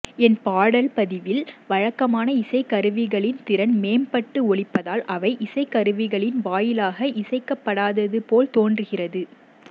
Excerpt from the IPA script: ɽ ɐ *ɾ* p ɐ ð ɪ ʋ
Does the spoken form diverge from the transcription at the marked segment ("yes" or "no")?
yes